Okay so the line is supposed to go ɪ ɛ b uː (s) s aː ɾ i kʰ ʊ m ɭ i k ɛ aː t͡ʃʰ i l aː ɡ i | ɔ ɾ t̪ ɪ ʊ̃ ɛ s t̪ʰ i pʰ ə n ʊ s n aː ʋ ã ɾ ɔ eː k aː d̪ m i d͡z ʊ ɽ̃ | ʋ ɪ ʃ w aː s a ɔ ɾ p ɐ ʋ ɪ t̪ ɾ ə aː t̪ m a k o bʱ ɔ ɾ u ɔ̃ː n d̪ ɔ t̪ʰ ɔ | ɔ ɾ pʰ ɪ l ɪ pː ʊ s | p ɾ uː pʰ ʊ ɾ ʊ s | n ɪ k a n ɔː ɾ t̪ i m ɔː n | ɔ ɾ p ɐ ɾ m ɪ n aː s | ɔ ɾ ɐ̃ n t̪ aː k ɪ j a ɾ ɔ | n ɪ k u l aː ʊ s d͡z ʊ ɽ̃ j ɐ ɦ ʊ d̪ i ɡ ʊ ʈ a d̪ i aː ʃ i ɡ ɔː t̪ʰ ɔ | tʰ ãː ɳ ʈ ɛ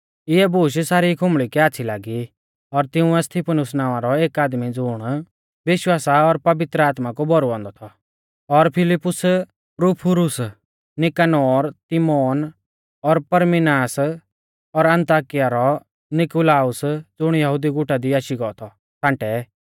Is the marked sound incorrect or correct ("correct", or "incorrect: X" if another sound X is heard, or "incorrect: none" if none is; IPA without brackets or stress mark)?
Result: incorrect: ʃ